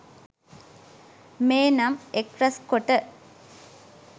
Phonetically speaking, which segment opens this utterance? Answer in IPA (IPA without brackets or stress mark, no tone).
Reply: m